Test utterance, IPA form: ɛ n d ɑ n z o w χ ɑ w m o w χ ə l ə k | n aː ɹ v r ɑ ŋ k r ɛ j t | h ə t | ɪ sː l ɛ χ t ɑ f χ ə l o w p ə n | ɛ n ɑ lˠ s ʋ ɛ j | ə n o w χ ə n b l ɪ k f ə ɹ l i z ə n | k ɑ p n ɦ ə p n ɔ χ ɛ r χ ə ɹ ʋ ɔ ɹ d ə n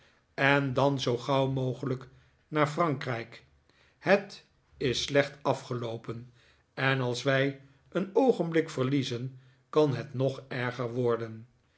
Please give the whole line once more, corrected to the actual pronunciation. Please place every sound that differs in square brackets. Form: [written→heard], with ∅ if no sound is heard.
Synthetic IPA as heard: ɛ n d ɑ n z o w χ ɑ w m o w χ ə l ə k | n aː ɹ [v→f] r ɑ ŋ k r ɛ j [t→k] | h ə t | ɪ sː l ɛ χ t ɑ f χ ə l o w p ə n | ɛ n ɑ lˠ s ʋ ɛ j | ə n o w χ ə n b l ɪ k f ə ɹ l i z ə n | k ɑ [p→∅] n ɦ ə [p→t] n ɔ χ ɛ [r→ɹ] χ ə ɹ ʋ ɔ ɹ d ə n